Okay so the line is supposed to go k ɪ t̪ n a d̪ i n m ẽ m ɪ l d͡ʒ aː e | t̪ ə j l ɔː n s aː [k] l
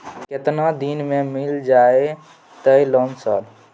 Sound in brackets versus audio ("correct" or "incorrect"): incorrect